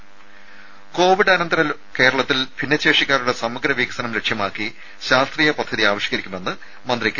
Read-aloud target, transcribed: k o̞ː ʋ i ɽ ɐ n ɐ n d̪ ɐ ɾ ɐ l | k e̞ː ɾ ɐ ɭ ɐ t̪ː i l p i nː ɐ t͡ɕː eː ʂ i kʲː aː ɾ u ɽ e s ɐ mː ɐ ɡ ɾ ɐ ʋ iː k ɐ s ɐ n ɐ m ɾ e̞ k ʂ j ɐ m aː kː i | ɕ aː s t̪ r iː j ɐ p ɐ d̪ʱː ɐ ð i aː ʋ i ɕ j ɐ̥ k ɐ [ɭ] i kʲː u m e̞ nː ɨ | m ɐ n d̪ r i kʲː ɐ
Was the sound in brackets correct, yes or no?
no